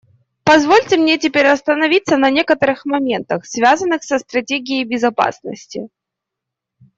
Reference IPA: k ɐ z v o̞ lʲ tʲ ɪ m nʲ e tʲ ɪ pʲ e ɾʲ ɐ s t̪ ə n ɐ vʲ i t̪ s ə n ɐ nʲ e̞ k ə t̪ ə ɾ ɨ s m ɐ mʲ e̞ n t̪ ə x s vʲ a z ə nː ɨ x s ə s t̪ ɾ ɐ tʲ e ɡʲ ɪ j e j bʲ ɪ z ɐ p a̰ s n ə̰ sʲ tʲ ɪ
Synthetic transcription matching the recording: p ɐ z v o̞ lʲ tʲ ɪ m nʲ e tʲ ɪ pʲ e ɾʲ ɐ s t̪ ə n ɐ vʲ i t̪ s ə n ɐ nʲ e̞ k ə t̪ ə ɾ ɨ x m ɐ mʲ e̞ n t̪ ə x s vʲ a z ə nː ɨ x s ə s t̪ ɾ ɐ tʲ e ɡʲ ɪ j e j bʲ ɪ z ɐ p a̰ s n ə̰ sʲ tʲ ɪ